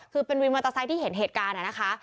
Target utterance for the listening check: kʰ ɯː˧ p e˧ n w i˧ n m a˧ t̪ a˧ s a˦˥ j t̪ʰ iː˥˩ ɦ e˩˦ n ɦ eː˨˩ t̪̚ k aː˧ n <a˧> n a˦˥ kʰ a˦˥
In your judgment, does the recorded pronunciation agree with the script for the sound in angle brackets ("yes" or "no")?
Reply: no